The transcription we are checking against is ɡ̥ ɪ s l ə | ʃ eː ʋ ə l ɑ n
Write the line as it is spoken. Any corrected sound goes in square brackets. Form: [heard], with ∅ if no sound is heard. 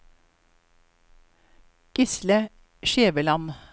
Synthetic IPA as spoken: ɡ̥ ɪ s l ə | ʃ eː ʋ ə l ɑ n